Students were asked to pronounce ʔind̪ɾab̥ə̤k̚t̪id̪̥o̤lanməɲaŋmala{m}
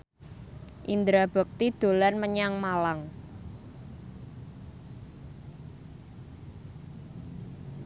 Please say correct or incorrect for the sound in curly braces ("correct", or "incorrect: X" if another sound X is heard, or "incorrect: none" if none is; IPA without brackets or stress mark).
incorrect: ŋ